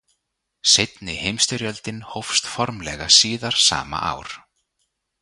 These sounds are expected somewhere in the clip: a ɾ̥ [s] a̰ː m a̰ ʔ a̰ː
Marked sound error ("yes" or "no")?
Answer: no